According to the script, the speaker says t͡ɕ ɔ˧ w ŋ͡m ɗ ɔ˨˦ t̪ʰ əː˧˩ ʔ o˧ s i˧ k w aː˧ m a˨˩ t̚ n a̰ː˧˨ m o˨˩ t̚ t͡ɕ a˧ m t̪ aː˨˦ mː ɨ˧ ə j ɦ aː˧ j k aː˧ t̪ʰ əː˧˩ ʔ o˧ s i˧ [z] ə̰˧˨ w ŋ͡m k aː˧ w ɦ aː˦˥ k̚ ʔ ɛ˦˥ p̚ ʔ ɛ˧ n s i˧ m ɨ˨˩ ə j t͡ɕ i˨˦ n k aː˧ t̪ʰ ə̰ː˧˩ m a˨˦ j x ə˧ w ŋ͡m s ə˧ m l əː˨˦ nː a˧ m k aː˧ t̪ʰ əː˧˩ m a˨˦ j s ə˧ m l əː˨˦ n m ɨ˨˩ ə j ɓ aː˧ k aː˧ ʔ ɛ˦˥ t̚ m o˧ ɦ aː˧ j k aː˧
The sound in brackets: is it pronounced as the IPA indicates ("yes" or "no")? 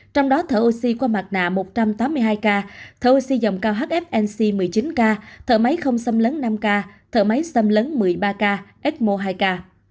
yes